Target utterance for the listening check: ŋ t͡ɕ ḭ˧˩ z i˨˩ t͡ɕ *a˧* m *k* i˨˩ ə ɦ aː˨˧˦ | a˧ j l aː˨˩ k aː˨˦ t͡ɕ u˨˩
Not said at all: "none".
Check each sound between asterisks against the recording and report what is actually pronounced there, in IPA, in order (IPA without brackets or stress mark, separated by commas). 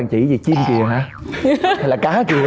i˧, k